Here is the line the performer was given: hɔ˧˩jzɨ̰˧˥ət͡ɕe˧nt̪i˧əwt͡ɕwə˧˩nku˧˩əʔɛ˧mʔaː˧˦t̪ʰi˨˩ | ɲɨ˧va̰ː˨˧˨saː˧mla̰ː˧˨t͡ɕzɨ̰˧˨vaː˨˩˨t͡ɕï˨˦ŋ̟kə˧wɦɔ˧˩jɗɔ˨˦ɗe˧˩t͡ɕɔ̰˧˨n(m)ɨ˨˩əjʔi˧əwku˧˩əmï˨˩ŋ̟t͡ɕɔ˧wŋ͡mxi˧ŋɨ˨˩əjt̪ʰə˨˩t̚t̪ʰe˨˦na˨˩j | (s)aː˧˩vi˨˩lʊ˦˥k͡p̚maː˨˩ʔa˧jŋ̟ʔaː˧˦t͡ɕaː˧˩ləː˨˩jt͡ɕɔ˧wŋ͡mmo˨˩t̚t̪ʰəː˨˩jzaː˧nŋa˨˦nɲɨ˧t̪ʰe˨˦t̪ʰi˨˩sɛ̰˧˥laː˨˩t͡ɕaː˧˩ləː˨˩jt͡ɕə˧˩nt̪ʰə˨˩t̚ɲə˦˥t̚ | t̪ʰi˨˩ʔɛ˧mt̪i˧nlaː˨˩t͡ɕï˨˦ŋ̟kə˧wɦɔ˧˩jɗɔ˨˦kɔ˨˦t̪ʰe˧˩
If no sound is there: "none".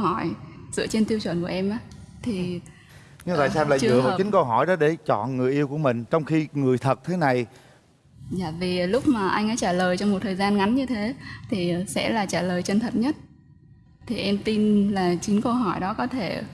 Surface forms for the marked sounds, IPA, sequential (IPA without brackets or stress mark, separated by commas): ŋ, z